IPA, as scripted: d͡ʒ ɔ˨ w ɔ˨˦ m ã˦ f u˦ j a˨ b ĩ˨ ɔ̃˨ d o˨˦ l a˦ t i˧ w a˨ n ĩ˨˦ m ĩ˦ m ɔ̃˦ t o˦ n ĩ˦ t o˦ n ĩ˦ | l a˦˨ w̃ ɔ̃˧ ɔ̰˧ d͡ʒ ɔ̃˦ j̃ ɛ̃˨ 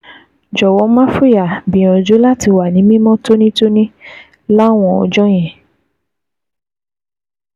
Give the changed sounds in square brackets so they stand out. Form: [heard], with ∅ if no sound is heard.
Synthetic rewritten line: d͡ʒ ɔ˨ w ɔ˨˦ m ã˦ f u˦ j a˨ b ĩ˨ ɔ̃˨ [d͡ʒ] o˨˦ l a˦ t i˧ w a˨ n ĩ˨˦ m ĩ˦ m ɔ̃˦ t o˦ n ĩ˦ t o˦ n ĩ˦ | l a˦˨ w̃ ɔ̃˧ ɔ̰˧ d͡ʒ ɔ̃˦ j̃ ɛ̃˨